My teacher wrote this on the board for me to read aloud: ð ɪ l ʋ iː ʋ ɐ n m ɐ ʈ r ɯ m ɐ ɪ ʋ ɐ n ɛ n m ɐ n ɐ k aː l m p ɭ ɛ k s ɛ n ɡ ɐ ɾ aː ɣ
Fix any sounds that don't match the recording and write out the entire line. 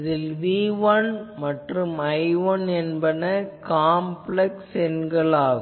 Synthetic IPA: ð ɪ l ʋ iː ʋ ɐ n m ɐ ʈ r ɯ m ɐ ɪ ʋ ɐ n ɛ n b ɐ n ɐ k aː m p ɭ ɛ k s ɛ n ɡ ɐ ɭ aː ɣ